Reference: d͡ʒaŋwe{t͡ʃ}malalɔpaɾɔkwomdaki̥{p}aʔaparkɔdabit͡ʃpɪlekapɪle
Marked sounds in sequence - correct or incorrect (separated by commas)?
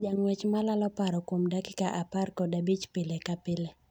correct, incorrect